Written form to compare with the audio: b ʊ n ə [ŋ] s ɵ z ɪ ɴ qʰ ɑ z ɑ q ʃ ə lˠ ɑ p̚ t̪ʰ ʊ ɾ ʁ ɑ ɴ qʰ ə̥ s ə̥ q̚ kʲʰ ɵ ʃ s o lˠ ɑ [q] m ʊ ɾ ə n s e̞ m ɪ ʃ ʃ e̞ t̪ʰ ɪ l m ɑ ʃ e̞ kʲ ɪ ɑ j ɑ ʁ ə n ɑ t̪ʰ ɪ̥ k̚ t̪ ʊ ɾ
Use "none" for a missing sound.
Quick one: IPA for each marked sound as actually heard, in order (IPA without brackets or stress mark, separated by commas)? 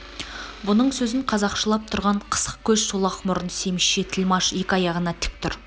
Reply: ɴ, q